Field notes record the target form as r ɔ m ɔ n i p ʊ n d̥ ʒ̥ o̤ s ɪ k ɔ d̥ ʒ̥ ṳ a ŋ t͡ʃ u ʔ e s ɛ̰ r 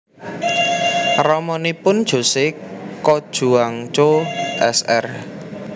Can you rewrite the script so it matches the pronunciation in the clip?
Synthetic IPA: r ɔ m ɔ n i p ʊ n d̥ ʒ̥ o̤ s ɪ k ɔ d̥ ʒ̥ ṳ a ŋ t͡ʃ o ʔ ɛ s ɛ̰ r